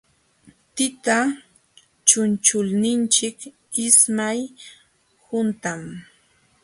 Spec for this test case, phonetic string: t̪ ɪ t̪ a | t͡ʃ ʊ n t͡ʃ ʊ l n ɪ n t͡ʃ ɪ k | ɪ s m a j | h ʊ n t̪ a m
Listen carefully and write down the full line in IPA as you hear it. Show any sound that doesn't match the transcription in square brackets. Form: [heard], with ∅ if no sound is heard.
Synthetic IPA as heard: t̪ ɪ t̪ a | t͡ʃ ʊ n t͡ʃ ʊ l n ɪ n t͡ʃ ɪ k | ɪ s m a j | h ʊ n t̪ a m